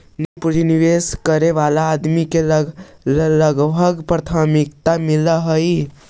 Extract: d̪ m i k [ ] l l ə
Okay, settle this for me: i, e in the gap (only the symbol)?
e